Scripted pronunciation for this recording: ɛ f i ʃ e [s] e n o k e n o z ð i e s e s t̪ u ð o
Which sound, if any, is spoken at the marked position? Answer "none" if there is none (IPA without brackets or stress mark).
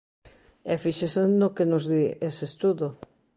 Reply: s